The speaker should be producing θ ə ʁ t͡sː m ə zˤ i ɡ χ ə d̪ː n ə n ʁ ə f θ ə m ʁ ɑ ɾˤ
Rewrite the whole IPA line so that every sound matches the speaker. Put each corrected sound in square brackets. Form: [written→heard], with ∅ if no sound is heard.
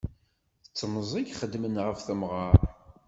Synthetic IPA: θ ə [ʁ→∅] t͡sː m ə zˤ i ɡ χ ə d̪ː [n→m] ə n ʁ ə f θ ə m ʁ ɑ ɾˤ